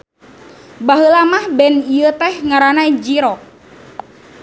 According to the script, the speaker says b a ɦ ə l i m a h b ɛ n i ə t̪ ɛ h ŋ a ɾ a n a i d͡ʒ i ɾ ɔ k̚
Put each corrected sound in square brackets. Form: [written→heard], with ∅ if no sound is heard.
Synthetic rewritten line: b a ɦ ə l [i→a] m a h b ɛ n i ə t̪ ɛ h ŋ a ɾ a n a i d͡ʒ i ɾ ɔ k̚